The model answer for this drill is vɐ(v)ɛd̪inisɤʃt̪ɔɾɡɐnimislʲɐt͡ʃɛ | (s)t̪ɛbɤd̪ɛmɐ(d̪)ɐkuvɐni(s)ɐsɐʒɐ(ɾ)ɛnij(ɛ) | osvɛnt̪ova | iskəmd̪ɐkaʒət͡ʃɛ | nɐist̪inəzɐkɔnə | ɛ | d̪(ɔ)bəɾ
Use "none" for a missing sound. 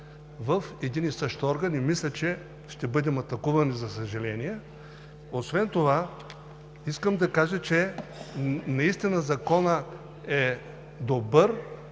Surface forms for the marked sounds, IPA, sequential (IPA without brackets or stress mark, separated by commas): f, ʃ, t̪, z, l, ɛ, o